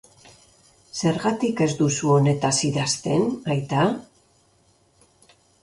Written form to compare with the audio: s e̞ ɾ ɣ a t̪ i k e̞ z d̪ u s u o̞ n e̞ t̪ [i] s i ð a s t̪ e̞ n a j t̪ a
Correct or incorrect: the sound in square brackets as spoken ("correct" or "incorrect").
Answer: incorrect